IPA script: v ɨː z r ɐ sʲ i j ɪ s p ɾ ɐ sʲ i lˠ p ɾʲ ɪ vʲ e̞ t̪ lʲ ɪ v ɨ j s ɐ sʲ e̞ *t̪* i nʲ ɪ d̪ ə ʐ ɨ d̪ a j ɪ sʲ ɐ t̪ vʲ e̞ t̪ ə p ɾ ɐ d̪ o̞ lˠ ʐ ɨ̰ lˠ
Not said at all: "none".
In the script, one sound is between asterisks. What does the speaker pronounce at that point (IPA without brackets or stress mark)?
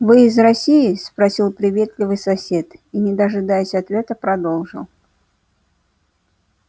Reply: t̪